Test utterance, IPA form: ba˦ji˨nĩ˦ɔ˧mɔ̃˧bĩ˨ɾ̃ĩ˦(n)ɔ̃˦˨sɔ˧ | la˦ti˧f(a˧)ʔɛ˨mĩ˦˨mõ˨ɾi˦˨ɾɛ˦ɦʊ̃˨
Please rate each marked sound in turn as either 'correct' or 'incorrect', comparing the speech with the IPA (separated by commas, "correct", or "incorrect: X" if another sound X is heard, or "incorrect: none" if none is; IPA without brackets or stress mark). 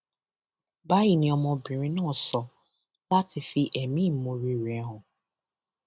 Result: correct, incorrect: i˧